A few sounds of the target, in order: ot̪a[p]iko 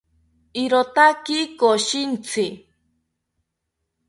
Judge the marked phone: incorrect: k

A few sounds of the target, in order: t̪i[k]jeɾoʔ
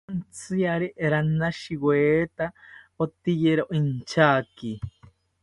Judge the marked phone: incorrect: none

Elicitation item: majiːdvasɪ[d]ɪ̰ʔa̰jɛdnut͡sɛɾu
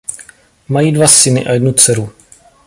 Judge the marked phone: incorrect: n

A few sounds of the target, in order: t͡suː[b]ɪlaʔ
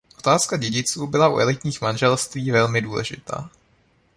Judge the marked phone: correct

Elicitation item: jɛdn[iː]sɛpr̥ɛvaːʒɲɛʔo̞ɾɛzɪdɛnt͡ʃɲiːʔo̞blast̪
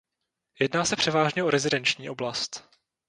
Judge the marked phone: incorrect: aː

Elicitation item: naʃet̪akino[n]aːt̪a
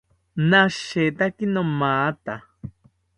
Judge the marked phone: incorrect: m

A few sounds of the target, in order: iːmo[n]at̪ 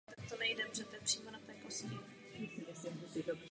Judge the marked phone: correct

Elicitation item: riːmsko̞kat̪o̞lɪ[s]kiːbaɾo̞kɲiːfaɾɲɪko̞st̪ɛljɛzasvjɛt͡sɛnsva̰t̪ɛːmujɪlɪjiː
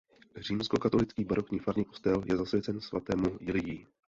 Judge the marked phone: incorrect: t͡s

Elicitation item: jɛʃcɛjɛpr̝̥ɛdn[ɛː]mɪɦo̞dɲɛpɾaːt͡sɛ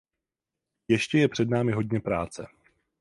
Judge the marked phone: incorrect: aː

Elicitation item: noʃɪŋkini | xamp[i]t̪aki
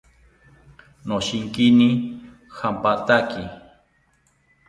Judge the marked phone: incorrect: a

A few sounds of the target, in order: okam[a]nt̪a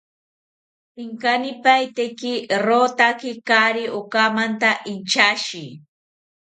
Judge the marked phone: correct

